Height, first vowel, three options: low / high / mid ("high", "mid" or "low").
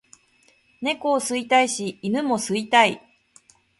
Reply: mid